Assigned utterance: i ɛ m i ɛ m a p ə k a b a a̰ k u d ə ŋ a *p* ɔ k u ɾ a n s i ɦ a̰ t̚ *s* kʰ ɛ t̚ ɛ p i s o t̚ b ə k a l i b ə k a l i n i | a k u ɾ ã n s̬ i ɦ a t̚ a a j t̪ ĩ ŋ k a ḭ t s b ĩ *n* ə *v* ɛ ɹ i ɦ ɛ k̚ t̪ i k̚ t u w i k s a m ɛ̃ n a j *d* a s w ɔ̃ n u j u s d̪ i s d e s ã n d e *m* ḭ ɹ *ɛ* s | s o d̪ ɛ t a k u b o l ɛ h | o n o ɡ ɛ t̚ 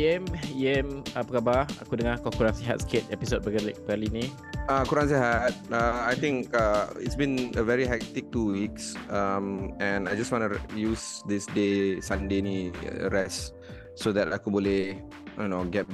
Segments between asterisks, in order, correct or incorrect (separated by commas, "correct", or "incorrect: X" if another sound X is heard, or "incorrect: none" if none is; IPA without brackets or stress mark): incorrect: k, correct, correct, correct, incorrect: d͡ʒ, incorrect: n, correct